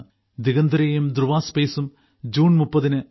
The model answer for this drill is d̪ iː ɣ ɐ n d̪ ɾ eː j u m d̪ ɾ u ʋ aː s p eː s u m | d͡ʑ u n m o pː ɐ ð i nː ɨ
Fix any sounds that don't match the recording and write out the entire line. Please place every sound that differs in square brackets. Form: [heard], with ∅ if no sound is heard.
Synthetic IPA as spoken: d̪ [i] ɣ ɐ n d̪ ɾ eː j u m d̪ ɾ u ʋ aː s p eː s u m | d͡ʑ [uː] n m [u] pː ɐ ð i [n] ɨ